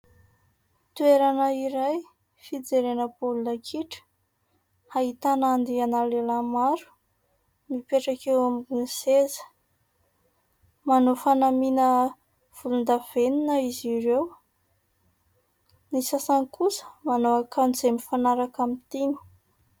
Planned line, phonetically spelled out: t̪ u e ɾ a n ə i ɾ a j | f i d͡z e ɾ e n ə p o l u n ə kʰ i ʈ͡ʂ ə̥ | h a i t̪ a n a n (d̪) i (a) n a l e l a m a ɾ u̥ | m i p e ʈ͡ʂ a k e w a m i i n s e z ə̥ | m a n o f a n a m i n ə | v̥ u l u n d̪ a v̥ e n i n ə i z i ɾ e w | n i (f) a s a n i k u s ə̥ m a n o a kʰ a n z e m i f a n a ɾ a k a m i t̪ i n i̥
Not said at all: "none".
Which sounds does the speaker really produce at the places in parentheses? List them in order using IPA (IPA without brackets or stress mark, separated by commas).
d̪, a, s